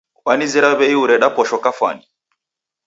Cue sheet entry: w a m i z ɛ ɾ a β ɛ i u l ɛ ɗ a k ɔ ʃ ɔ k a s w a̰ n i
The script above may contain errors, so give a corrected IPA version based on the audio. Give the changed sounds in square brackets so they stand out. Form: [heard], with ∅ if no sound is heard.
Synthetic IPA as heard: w a [n] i z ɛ ɾ a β ɛ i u [ɾ] ɛ ɗ a [p] ɔ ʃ ɔ k a [f] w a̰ n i